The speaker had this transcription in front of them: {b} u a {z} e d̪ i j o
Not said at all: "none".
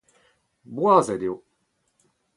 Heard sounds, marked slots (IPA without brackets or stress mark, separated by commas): b, z